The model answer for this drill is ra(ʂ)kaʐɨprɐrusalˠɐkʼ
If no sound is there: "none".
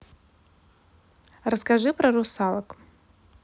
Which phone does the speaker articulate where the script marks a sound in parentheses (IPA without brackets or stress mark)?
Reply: s